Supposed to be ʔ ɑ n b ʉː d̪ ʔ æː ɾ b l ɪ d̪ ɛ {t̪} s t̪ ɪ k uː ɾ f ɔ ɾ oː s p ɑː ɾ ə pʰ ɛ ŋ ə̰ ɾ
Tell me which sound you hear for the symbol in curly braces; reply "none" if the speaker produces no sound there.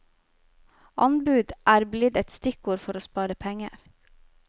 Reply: t̪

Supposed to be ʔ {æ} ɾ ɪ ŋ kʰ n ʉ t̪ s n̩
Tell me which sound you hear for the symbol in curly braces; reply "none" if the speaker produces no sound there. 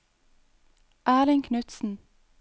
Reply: æː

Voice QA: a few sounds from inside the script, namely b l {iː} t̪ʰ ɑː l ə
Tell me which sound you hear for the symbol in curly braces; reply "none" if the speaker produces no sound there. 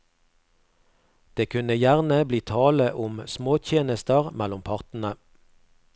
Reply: iː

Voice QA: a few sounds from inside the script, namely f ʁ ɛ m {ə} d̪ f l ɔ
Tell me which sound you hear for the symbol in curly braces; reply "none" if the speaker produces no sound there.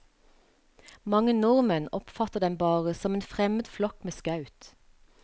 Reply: ə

